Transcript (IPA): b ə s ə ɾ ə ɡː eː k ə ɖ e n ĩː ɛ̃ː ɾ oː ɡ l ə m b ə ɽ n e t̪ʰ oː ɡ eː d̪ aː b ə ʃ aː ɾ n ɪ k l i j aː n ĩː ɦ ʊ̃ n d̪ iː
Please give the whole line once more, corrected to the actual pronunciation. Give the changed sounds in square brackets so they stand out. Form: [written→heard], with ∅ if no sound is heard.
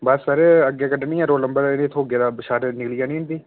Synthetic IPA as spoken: b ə s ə ɾ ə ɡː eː k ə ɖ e n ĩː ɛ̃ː ɾ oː [ɡ→∅] l ə m b ə [ɽ→ɾ] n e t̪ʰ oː ɡ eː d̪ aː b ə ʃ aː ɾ n ɪ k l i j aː n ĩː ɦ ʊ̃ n d̪ iː